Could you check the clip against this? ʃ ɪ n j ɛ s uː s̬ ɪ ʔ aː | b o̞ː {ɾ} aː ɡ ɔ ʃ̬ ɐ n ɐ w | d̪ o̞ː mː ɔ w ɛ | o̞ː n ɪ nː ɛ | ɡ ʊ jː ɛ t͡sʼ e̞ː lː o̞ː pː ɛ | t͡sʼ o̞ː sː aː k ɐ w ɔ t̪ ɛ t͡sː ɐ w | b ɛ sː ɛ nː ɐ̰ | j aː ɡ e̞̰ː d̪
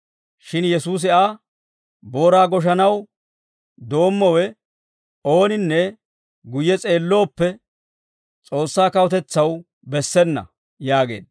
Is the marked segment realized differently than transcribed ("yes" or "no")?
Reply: no